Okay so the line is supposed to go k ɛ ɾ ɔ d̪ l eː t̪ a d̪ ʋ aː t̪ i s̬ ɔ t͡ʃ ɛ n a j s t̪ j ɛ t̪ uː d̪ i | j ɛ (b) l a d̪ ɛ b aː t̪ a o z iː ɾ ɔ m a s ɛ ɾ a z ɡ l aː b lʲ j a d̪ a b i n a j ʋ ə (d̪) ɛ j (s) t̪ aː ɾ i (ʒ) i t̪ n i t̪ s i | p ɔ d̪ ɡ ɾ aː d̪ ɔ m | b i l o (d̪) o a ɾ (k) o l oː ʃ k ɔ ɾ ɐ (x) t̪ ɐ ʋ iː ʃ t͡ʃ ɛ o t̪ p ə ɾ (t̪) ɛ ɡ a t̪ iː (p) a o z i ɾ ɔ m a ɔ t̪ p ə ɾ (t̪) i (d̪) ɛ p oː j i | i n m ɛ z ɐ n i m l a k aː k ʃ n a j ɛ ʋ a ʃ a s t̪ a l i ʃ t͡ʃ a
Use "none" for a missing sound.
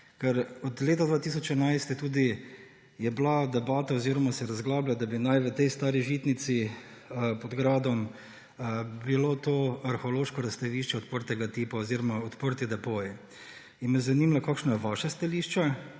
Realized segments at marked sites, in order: b, t̪, s, ʒ, t̪, x, s, t̪, p, t̪, d̪

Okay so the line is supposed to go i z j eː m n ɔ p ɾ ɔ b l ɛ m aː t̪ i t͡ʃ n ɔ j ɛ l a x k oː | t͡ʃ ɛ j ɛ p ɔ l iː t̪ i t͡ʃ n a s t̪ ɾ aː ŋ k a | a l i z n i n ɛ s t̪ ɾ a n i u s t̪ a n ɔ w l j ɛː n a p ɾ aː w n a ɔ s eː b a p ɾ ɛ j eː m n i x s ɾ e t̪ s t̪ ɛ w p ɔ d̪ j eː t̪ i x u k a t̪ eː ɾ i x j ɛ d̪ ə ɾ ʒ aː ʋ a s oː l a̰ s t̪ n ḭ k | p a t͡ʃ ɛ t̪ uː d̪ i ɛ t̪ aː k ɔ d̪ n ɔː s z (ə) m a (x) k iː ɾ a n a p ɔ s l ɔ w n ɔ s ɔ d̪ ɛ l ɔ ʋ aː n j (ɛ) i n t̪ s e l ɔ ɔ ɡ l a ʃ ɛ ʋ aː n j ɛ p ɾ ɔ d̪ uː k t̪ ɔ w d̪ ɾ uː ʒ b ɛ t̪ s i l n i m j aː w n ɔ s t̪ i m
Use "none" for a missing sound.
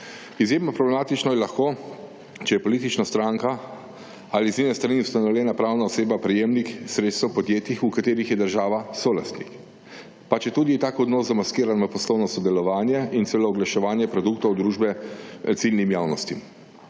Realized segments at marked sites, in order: a, s, ɛ

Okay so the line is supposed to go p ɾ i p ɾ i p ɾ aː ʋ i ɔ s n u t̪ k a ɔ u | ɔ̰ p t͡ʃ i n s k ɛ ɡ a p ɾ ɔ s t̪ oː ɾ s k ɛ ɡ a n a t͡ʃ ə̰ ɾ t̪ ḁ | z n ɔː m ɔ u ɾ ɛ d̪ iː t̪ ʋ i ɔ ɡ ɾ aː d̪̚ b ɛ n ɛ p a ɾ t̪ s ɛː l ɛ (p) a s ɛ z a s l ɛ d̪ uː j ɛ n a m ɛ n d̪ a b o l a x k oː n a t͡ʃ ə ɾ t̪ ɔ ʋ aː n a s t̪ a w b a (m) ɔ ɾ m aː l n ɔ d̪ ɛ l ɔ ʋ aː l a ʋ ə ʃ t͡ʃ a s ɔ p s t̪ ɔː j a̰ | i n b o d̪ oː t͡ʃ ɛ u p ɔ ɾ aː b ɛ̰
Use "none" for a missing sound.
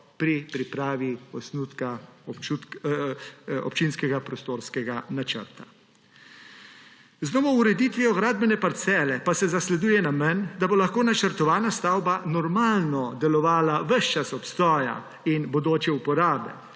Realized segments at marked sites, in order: p, n

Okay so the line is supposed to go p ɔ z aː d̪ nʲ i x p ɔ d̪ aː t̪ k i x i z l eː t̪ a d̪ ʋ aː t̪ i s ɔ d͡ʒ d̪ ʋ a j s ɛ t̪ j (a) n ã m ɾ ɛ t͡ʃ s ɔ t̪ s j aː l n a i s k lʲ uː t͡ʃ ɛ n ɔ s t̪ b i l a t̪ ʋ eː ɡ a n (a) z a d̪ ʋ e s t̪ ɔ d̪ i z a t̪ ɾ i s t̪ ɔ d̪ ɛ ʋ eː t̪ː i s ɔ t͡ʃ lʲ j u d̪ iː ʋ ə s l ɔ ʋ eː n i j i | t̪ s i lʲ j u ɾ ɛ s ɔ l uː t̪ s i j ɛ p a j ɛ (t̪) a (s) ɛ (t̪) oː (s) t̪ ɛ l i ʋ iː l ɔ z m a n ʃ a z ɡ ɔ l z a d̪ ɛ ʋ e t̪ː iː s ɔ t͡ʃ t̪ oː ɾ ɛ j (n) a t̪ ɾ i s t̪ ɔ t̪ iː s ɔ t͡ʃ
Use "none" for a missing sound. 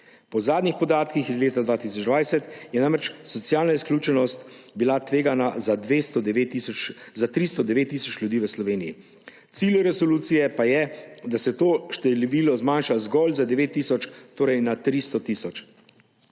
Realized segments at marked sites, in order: ɛ, a, d̪, s, t̪, ʃ, n

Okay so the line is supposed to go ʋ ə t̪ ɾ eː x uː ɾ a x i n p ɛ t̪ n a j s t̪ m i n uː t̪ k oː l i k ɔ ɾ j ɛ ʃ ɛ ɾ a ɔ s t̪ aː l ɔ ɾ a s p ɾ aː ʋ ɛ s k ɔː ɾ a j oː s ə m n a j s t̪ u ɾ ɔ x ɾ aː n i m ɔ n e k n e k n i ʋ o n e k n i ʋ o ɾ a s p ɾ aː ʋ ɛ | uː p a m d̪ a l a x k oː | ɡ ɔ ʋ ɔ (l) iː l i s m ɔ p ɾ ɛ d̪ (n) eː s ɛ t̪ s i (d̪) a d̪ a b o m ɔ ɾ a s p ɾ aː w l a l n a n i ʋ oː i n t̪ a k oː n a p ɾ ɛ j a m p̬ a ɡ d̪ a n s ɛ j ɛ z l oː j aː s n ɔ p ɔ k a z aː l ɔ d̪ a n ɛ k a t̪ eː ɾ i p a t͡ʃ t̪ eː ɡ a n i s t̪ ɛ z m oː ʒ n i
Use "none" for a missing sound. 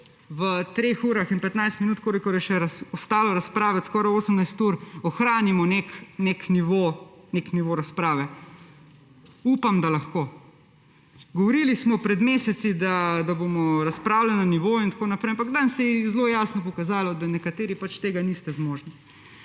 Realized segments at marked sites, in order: ɾ, m, d̪

